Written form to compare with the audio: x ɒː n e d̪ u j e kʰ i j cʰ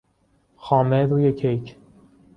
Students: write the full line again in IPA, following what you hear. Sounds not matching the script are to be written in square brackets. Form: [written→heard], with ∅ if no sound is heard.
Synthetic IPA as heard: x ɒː [n→m] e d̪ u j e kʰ [i→e] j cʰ